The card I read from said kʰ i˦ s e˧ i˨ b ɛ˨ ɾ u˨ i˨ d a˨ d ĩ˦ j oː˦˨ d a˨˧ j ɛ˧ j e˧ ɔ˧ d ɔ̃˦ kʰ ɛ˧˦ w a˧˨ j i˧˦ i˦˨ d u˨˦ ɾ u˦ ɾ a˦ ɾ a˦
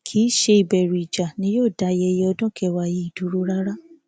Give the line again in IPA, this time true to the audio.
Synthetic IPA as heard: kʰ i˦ ʃ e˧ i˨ b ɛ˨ ɾ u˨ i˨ d͡ʒ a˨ n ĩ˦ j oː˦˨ d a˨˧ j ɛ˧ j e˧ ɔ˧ d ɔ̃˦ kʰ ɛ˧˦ w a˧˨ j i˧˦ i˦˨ d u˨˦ ɾ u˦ ɾ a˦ ɾ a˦

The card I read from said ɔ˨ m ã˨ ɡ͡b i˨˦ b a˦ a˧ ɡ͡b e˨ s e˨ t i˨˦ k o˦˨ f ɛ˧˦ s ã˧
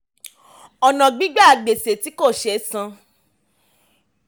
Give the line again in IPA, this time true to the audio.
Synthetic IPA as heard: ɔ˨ n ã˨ ɡ͡b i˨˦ ɡ͡b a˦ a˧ ɡ͡b e˨ s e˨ t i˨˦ k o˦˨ ʃ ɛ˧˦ s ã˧

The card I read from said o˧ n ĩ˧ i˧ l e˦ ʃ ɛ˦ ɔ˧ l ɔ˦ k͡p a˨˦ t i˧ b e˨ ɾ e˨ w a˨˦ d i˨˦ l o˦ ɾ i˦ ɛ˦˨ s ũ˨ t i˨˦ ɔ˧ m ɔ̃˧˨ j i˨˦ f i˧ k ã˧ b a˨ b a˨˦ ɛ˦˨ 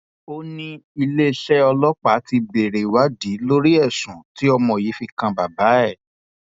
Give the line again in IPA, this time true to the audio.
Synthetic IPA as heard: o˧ n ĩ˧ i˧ l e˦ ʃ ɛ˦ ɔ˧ l ɔ˦ k͡p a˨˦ t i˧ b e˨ ɾ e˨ w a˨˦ d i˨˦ l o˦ ɾ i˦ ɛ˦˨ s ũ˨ t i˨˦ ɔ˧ m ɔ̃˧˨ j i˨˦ f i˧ k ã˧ b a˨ b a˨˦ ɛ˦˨

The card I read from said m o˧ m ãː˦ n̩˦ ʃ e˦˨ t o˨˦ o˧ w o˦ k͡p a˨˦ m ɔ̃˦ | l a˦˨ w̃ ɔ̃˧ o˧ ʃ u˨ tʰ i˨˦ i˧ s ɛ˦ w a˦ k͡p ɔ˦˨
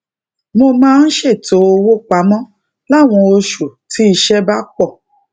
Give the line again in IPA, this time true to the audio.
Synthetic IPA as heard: m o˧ m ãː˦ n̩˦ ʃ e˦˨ t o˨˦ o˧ w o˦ k͡p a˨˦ m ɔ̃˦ | l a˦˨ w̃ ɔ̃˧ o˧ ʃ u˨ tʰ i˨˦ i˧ ʃ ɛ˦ b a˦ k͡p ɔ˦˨

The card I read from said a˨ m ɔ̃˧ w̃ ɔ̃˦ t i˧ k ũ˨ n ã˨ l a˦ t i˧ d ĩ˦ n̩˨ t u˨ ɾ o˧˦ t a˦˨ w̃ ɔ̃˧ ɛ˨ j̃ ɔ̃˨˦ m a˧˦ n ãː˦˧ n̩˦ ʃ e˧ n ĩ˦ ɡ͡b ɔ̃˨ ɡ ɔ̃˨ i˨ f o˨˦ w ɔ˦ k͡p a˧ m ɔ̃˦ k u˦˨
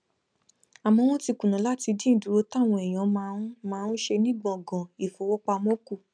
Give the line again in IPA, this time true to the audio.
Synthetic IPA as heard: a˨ m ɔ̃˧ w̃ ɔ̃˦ t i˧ k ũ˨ n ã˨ l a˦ t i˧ d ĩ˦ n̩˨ d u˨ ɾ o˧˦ t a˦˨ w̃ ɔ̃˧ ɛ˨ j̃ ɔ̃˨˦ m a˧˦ m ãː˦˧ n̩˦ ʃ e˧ n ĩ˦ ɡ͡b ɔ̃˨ ɡ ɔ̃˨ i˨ f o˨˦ w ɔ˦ k͡p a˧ m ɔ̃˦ k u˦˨

